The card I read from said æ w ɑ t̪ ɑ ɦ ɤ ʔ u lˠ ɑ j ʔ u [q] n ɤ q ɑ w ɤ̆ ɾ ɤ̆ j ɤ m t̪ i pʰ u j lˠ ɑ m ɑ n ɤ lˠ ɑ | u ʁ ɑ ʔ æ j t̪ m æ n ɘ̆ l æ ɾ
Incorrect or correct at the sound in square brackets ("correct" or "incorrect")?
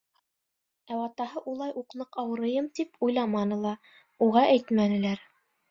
correct